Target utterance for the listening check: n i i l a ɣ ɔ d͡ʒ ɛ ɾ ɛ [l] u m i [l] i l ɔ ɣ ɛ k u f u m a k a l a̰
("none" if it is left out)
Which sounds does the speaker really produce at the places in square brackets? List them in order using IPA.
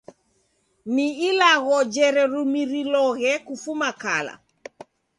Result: ɾ, ɾ

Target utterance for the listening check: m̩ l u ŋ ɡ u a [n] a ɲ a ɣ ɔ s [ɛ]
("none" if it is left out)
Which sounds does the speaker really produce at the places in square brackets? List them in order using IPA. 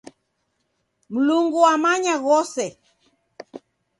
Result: m, ɛ

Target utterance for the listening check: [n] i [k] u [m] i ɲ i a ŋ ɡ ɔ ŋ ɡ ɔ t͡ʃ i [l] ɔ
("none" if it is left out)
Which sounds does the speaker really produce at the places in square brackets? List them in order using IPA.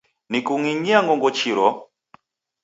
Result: n, k, ŋ, ɾ

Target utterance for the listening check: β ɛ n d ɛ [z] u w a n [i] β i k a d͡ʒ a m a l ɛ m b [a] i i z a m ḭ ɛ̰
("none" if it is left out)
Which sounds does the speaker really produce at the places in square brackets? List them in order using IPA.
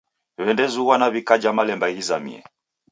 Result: z, a, a

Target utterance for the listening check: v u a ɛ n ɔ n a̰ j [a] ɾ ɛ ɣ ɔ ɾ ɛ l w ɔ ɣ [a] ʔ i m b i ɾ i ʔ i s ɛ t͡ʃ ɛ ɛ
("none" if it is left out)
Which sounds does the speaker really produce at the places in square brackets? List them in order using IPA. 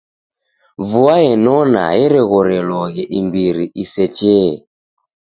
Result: ɛ, ɛ

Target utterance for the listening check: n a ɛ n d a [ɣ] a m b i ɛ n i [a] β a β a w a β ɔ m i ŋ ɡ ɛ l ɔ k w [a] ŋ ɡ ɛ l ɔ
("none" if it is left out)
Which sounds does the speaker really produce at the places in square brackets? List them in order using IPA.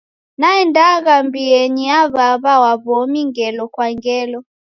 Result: ɣ, a, a

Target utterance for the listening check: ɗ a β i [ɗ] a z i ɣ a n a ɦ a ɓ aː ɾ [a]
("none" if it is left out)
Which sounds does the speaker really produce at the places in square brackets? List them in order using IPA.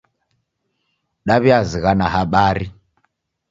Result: none, i

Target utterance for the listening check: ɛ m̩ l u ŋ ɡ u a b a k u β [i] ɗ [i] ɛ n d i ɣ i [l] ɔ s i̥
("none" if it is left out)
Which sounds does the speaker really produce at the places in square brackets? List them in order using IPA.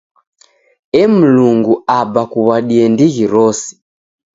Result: a, i, ɾ

